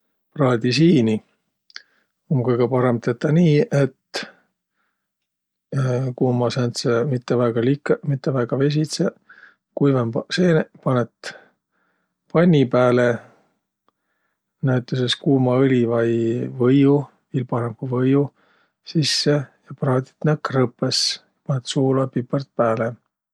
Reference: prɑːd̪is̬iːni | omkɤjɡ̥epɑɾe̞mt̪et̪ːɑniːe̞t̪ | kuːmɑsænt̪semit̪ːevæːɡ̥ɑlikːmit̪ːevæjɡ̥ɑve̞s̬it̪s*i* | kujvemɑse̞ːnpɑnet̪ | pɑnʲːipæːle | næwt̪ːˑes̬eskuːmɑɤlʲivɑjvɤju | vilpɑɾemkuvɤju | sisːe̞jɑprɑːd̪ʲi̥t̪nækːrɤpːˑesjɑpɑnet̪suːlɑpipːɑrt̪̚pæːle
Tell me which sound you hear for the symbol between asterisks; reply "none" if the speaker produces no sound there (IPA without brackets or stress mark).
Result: e